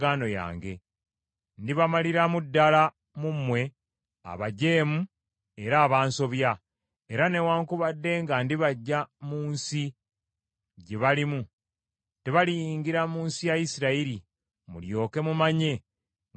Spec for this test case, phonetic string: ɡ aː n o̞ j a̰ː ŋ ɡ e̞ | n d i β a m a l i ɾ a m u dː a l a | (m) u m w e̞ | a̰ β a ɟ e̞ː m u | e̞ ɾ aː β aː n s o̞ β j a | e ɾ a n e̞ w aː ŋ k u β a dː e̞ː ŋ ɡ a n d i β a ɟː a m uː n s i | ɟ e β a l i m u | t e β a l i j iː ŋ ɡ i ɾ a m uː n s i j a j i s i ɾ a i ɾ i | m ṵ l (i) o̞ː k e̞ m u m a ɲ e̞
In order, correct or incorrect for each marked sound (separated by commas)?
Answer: correct, incorrect